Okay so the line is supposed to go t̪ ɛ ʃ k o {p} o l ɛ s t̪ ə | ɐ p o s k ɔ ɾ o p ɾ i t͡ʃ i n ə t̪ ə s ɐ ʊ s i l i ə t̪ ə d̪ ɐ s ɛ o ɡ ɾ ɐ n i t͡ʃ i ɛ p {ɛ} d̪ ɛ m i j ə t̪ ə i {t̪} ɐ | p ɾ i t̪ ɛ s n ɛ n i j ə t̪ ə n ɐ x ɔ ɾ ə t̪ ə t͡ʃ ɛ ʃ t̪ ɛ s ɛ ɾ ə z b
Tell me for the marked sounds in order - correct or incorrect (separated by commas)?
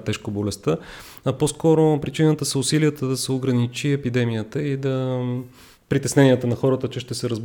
incorrect, incorrect, incorrect